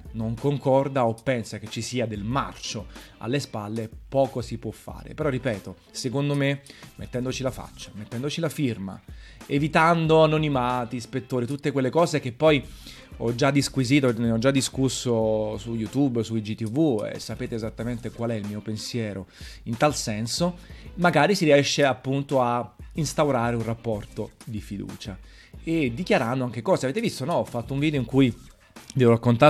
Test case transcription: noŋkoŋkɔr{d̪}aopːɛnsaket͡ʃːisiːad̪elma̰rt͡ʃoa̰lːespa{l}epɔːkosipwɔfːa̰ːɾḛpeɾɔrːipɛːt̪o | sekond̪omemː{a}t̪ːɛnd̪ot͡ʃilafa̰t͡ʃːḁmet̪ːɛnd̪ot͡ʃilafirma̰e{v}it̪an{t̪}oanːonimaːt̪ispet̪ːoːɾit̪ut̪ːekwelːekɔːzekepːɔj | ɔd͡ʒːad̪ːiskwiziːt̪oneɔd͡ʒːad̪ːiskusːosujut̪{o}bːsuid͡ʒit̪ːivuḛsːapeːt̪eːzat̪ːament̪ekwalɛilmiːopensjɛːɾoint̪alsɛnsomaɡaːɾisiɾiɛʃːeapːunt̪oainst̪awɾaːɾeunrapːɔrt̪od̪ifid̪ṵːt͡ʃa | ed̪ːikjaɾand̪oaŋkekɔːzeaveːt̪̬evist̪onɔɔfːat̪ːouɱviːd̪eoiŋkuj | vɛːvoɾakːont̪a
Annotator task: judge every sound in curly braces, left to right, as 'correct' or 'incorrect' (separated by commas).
correct, incorrect, incorrect, correct, incorrect, incorrect